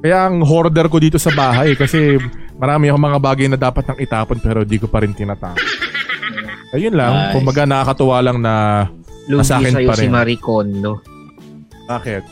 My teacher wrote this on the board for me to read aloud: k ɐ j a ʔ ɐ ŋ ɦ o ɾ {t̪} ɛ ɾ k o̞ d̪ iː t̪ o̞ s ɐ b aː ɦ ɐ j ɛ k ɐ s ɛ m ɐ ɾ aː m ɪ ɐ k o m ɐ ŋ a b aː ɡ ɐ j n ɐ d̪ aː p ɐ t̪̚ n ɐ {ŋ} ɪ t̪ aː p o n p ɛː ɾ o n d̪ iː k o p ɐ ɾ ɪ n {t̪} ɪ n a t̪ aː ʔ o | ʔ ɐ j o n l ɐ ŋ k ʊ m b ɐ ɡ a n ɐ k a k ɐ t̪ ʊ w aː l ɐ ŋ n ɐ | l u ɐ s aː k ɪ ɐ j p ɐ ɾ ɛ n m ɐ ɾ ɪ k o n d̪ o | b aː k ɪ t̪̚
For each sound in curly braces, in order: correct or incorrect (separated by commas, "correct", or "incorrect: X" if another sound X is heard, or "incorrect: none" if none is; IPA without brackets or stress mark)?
incorrect: d̪, correct, correct